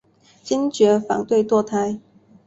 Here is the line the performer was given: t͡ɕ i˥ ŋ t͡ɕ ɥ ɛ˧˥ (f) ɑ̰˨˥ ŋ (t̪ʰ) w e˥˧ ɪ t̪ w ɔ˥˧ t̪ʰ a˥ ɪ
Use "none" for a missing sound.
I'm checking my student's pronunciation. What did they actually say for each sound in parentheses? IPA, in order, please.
f, t̪

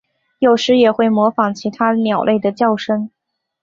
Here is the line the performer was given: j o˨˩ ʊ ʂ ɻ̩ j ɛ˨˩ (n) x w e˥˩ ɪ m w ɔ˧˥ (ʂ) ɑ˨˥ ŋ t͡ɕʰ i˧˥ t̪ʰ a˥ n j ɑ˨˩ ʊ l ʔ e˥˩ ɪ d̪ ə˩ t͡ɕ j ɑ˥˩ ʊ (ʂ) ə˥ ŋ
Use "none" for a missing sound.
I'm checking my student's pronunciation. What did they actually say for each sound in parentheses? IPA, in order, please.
none, f, ʂ

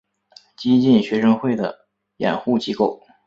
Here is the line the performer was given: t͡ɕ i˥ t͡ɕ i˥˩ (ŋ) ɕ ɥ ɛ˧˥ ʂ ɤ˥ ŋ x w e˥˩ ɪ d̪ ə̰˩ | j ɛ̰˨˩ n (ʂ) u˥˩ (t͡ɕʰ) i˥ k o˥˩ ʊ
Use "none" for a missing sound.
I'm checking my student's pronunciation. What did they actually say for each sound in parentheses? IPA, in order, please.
n, x, t͡ɕ

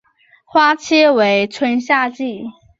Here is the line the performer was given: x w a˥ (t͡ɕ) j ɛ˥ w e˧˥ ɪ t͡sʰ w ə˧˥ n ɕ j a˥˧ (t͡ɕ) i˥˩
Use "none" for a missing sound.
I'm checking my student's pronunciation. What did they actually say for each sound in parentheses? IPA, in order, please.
t͡ɕʰ, t͡ɕ

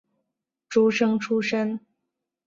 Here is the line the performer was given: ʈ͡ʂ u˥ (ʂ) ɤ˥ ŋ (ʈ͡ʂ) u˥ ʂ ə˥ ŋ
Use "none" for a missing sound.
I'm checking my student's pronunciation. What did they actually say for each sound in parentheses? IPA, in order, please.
ʂ, ʈ͡ʂʰ

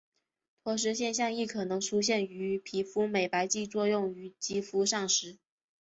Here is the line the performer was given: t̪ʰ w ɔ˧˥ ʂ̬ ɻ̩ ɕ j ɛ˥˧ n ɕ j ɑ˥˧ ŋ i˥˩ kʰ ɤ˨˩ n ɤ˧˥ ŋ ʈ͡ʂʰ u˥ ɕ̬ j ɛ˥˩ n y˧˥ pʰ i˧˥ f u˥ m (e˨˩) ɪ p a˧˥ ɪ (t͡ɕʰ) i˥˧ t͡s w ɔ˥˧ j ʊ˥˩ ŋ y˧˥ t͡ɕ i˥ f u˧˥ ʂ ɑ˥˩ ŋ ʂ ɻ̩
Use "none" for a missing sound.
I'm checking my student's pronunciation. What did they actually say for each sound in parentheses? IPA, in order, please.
e˨˩, t͡ɕ

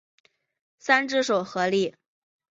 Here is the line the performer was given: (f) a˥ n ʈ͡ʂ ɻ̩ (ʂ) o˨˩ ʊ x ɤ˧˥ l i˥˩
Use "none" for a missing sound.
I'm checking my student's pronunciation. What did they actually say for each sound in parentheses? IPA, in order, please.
s, ʂ

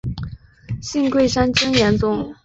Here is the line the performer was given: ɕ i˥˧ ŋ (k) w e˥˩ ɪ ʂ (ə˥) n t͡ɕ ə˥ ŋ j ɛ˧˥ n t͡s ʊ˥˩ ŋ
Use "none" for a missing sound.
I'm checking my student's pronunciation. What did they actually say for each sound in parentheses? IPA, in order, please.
k, a˥

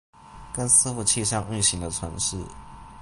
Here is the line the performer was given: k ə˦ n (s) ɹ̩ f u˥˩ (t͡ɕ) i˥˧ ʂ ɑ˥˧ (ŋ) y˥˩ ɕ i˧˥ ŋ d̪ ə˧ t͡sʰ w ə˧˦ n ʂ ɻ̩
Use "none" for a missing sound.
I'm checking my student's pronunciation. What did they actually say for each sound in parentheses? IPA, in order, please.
s, t͡ɕʰ, ŋ

